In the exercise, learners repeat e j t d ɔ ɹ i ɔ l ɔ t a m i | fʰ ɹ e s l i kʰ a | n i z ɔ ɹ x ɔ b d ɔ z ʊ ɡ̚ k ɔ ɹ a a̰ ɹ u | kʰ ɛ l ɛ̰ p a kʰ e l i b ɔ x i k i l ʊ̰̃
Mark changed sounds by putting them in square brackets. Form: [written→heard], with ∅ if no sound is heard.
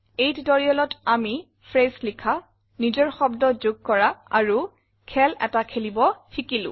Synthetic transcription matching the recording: e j t d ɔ ɹ i ɔ l ɔ t a m i | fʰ ɹ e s l i kʰ a | n i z ɔ ɹ x ɔ b d ɔ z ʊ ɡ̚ k ɔ ɹ a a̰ ɹ u | kʰ ɛ l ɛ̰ [p→t] a kʰ e l i b ɔ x i k i l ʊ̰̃